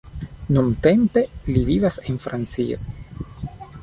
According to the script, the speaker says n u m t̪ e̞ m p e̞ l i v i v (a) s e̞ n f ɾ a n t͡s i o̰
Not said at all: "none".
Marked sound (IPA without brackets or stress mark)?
a